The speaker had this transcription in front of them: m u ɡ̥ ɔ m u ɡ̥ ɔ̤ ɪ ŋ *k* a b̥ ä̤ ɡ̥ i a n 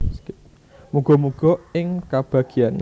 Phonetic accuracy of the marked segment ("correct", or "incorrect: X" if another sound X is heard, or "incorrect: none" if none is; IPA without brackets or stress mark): correct